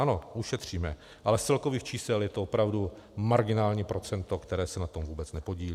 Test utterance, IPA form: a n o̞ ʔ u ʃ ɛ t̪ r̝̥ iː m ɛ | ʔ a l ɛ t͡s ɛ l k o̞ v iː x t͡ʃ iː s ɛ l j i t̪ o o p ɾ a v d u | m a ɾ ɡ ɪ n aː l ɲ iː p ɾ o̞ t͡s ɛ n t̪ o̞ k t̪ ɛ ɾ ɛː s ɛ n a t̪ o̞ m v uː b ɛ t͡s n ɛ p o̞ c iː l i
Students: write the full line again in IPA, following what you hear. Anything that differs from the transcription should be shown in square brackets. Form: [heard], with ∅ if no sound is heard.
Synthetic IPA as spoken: a n o̞ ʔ u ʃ ɛ t̪ r̝̥ iː m ɛ | ʔ a l ɛ t͡s ɛ l k o̞ v iː x t͡ʃ iː s ɛ l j [ɛ] t̪ o o p ɾ a v d u | m a ɾ ɡ ɪ n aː l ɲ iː p ɾ o̞ t͡s ɛ n t̪ o̞ k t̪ ɛ ɾ ɛː s ɛ n a t̪ o̞ m v uː b ɛ t͡s n ɛ p o̞ [ɟ] iː l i